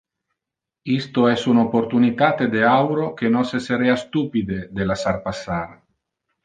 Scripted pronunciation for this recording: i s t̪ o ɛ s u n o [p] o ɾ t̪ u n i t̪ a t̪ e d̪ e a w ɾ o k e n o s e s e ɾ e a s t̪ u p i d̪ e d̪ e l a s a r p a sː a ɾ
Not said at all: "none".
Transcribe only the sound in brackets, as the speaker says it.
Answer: p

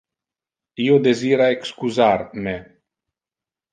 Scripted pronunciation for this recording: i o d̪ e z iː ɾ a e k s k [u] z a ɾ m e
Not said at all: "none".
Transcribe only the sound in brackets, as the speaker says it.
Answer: u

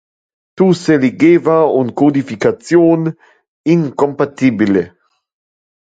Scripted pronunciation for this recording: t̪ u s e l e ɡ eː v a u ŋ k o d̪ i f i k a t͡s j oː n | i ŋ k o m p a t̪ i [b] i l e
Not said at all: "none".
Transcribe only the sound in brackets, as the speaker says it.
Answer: b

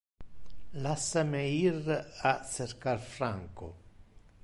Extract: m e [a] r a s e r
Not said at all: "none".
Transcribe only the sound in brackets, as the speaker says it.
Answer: i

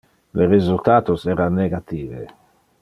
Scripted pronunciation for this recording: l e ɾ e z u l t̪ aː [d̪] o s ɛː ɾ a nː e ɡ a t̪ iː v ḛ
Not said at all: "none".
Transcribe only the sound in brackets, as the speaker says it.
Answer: t̪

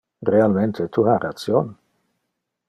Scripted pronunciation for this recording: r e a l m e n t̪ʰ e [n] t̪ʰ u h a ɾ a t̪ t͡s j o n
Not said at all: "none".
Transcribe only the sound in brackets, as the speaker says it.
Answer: none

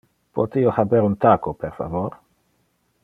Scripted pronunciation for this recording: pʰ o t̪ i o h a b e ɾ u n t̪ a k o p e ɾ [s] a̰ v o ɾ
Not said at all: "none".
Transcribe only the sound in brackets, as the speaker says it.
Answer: f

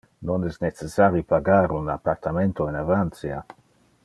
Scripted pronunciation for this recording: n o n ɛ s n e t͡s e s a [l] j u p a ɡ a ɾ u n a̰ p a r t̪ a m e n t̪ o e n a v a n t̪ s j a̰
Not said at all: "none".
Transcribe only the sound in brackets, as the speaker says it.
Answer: ɾ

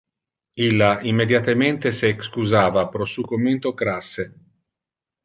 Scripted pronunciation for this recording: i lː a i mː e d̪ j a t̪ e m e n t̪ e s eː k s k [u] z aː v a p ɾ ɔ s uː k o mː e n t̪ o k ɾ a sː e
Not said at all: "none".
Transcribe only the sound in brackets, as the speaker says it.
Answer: u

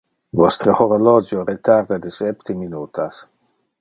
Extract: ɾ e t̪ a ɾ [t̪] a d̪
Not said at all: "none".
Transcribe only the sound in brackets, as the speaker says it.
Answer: d̪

